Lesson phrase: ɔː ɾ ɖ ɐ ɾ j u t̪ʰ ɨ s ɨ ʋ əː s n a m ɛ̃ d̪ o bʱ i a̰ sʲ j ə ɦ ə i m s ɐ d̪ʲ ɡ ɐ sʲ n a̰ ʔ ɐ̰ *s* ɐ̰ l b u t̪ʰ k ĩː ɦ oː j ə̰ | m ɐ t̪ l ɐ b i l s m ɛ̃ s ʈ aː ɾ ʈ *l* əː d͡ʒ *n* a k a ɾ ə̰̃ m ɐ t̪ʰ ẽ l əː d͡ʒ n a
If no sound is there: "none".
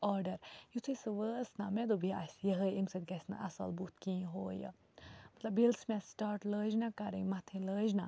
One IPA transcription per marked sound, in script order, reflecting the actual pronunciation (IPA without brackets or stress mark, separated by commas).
s, l, n